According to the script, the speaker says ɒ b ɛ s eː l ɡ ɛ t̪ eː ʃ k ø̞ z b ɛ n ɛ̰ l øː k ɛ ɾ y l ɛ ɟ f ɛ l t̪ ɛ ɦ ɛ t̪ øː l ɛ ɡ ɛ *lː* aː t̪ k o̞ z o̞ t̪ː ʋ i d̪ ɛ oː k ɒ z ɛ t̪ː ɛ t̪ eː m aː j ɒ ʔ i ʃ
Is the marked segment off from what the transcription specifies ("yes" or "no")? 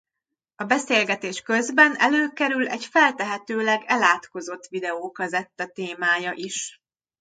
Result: yes